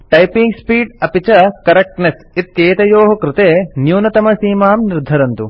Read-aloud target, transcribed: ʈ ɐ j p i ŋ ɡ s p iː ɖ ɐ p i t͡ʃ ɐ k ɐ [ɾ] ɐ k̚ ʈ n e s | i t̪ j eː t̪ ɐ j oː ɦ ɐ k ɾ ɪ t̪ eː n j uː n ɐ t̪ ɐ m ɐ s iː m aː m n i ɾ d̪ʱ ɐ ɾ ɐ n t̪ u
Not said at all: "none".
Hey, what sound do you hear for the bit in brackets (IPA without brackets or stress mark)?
ɾ